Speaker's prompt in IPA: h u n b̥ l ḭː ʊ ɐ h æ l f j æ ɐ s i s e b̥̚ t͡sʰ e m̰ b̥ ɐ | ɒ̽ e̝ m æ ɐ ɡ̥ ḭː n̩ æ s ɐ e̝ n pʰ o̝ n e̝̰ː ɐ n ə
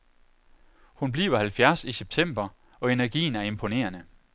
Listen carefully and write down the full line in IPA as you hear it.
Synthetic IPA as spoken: h u n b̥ l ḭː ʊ ɐ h æ l f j æ ɐ s i s e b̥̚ t͡sʰ e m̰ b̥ ɐ | ɒ̽ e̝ n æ ɐ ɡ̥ ḭː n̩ æ ɐ e̝ m pʰ o̝ n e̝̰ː ɐ n ə